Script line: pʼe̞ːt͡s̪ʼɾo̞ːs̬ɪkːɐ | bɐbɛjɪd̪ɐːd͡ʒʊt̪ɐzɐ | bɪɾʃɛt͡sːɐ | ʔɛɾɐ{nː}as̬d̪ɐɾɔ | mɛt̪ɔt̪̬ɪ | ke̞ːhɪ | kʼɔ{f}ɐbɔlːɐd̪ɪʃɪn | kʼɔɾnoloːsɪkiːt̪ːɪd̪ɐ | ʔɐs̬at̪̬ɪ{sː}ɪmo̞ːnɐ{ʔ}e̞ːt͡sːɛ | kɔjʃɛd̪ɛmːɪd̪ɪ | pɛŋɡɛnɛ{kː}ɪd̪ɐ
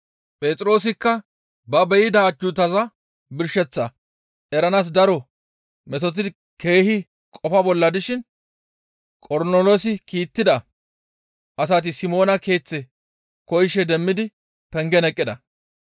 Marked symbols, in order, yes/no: no, yes, no, no, no

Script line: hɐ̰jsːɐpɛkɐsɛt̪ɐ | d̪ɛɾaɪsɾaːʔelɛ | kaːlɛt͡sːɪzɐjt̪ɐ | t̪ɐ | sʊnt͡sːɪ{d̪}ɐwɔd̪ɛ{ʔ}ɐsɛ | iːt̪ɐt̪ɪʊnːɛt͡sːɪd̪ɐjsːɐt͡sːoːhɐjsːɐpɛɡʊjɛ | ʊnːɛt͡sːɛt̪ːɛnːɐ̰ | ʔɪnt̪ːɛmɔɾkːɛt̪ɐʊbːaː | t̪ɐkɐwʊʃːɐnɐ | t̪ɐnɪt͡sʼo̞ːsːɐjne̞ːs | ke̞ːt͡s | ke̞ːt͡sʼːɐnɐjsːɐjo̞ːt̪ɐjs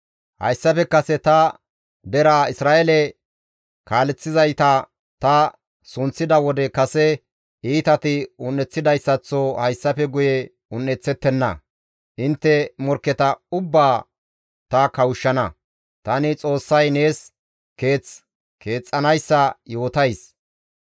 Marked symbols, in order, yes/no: yes, no

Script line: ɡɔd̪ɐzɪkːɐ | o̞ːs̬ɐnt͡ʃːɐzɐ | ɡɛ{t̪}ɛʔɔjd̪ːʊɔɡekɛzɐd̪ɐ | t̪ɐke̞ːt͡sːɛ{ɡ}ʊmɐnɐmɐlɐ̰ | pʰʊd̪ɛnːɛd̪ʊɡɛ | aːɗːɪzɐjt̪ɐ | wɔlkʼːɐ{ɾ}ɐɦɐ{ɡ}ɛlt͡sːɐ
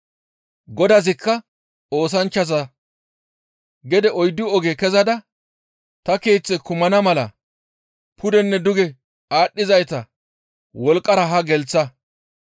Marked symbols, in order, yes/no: no, no, yes, yes

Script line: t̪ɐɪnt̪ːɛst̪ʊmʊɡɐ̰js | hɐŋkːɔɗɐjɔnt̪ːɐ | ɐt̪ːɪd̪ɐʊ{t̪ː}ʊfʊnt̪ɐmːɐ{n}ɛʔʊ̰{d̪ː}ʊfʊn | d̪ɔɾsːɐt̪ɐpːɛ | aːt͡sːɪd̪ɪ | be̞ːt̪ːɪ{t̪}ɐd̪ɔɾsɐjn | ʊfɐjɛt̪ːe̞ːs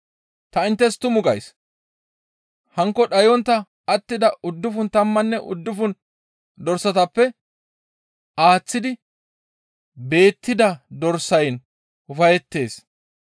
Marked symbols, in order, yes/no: no, no, yes, no

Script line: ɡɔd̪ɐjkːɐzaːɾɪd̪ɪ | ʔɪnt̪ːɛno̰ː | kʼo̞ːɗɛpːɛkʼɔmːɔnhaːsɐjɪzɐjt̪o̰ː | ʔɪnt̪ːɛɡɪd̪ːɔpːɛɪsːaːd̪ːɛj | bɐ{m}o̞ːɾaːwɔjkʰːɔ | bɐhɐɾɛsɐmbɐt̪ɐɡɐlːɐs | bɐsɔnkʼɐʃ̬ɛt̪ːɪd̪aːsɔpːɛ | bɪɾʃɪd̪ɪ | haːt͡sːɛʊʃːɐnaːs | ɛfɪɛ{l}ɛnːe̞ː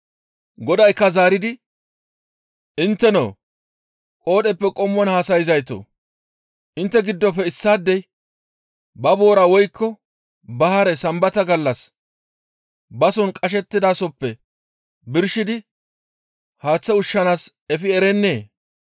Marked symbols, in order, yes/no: no, no

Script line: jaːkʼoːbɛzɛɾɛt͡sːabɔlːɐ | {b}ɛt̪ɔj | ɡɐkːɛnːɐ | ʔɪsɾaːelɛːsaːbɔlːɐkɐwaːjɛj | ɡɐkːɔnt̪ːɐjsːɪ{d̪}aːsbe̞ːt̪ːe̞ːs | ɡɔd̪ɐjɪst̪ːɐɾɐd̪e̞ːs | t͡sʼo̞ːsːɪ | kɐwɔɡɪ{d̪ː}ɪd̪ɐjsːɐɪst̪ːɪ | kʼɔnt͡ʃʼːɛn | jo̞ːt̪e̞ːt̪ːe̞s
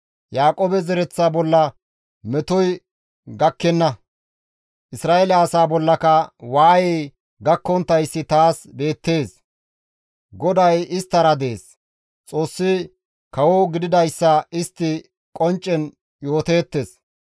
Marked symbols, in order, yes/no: no, no, no

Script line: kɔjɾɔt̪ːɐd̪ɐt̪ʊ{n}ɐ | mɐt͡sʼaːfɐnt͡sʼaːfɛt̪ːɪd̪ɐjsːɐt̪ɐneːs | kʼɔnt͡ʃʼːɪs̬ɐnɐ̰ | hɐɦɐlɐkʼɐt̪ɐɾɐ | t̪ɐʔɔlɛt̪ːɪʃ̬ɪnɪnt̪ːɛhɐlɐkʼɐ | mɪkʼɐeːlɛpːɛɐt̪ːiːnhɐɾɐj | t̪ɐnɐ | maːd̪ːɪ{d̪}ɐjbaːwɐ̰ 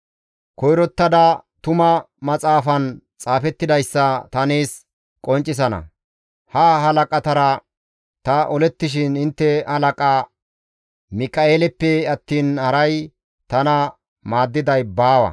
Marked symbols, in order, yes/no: no, yes

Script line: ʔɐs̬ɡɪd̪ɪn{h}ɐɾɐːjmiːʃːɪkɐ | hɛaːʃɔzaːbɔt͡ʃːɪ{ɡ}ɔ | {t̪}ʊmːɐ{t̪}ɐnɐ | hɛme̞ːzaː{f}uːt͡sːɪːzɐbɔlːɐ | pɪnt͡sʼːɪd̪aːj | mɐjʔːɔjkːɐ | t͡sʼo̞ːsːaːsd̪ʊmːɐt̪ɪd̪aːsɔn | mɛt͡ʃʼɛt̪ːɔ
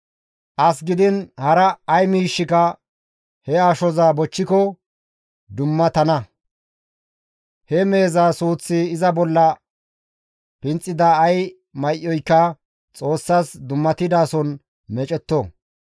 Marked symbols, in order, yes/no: yes, no, no, yes, no

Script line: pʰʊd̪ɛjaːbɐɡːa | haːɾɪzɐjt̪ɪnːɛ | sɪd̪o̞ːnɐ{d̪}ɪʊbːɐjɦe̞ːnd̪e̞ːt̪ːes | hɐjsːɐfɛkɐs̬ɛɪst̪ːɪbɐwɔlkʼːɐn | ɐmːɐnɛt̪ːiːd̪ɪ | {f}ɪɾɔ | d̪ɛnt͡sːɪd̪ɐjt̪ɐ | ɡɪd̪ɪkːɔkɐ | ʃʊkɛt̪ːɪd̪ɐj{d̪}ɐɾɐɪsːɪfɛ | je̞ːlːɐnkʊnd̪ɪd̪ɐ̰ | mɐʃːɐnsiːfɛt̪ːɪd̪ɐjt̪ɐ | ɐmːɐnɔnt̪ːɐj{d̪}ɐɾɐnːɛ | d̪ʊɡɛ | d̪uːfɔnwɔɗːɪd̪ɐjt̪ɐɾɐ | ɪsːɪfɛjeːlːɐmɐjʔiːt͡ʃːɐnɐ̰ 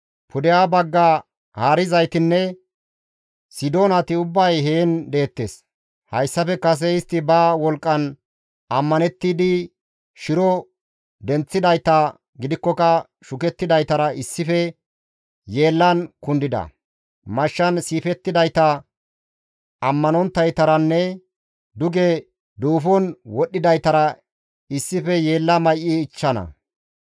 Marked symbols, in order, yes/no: no, no, no, no

